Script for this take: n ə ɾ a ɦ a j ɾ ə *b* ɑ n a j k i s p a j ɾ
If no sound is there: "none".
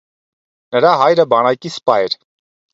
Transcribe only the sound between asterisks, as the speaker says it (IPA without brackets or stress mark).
b